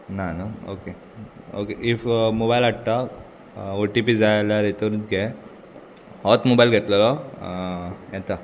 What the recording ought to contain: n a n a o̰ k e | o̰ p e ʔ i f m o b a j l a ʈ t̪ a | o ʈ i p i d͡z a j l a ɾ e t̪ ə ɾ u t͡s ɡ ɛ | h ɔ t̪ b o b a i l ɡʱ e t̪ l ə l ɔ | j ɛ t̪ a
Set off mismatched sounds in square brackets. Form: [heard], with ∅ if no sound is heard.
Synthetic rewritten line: n a n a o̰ k e | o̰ [k] e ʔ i f m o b a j l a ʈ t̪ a | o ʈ i p i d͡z a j l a ɾ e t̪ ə ɾ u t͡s ɡ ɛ | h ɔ t̪ [m] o b a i l ɡʱ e t̪ l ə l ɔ | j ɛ t̪ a